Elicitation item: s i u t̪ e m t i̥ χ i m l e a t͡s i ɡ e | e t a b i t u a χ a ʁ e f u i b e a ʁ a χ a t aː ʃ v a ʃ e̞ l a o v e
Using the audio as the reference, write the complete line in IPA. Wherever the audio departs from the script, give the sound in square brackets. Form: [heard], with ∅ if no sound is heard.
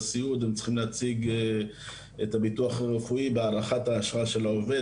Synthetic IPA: s i u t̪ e m [t͡s] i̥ χ i m l e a t͡s i ɡ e | e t a b i t u a χ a ʁ e f u i b e a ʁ a χ a t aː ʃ [ʁ] a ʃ e̞ l a o v e

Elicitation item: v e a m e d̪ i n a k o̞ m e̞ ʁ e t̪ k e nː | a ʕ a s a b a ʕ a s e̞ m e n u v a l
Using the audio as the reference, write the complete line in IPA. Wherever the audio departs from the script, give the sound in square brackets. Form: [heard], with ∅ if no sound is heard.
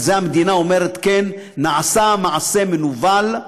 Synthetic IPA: [z] e a m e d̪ i n a [∅] o̞ m e̞ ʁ e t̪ k e nː | a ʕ a s a [m] a ʕ a s e̞ m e n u v a l

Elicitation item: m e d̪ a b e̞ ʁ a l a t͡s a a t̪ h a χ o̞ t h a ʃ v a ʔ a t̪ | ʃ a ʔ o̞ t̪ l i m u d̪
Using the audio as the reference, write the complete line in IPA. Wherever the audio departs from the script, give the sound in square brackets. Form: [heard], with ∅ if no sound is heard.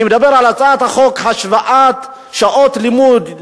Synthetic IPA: m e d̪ a b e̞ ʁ a l a t͡s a a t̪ h a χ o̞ [k] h a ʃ v a ʔ a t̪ | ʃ a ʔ o̞ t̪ l i m u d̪

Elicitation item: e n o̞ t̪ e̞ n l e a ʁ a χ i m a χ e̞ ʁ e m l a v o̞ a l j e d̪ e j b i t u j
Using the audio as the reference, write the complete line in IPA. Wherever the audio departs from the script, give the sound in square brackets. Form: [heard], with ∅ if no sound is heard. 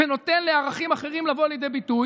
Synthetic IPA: e n o̞ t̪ e̞ n l e a ʁ a χ i m a χ e̞ ʁ [i] m l a v o̞ a l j e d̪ e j b i t u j

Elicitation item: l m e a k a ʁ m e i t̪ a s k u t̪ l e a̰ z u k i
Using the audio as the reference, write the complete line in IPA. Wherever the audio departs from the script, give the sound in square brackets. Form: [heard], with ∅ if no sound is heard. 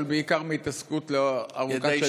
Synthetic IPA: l [b] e [i] k a ʁ m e i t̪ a s k u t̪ l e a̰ [ʁ] u k [a]

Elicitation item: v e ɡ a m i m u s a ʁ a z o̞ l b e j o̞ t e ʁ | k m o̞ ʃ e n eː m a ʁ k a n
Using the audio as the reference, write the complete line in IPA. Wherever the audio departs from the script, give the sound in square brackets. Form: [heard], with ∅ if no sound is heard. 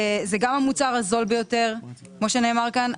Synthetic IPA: [z] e ɡ a m [a] m u [t͡s] a ʁ a z o̞ l b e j o̞ t e ʁ | k m o̞ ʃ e n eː m a ʁ k a n

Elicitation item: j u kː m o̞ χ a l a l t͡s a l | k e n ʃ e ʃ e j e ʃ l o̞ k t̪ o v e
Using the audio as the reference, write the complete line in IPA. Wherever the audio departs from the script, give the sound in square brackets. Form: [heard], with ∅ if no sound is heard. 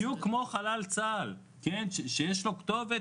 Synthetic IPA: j u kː m o̞ χ a l a l t͡s a l | k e n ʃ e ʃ e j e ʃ l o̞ k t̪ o v e

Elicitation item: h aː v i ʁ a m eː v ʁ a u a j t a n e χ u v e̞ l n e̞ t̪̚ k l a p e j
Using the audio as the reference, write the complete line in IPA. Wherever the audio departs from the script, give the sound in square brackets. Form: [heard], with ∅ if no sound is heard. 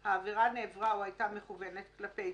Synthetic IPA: h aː v i ʁ a [n] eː v ʁ a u a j t a [m] e χ u v e̞ [∅] n e̞ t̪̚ k l a p e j

